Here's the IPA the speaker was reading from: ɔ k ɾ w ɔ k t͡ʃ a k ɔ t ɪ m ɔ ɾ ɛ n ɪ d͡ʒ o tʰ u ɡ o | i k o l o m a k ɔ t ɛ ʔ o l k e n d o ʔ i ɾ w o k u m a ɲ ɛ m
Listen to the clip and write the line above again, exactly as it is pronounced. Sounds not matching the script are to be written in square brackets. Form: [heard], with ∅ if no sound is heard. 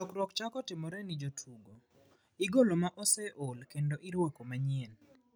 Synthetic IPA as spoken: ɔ k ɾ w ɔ k t͡ʃ a k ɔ t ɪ m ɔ ɾ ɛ n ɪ d͡ʒ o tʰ u ɡ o | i [ɡ] o l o m a [ʔ] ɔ [s] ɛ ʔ o l k e n d o ʔ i ɾ w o k [o] m a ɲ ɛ [n]